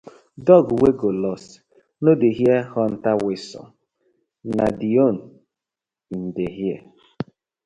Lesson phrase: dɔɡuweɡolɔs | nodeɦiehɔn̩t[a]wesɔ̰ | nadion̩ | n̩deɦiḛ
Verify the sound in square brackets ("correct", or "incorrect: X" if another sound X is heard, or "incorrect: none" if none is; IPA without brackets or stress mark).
correct